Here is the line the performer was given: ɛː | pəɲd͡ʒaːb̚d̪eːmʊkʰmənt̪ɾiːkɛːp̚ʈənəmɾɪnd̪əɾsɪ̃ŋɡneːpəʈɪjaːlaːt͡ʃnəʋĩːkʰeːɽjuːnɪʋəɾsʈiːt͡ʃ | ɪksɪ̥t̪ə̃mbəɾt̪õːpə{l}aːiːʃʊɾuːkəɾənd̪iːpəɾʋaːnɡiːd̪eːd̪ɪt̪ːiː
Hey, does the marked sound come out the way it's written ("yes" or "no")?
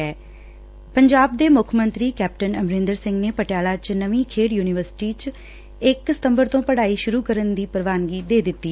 no